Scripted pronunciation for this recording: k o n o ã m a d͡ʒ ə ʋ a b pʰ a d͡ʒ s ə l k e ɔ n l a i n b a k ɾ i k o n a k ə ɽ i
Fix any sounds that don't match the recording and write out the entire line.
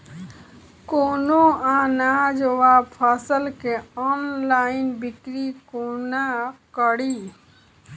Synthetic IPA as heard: k o n o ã n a d͡ʒ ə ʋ a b pʰ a s ə l k e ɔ n l a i n b i k ɾ i k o n a k ə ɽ i